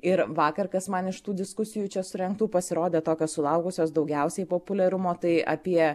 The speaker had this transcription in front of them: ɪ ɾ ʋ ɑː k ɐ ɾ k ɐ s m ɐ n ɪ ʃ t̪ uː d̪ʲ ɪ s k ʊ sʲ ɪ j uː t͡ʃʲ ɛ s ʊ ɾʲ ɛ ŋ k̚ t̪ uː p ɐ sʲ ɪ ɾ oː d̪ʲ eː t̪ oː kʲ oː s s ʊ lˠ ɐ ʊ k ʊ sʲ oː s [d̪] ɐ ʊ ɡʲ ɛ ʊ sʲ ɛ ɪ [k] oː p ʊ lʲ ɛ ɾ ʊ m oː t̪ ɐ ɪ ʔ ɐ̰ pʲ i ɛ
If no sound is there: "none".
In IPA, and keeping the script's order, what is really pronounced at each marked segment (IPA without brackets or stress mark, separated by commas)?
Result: d̪, p